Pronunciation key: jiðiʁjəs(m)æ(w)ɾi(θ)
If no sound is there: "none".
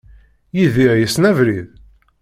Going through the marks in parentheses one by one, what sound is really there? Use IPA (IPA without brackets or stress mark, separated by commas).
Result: n, v, ð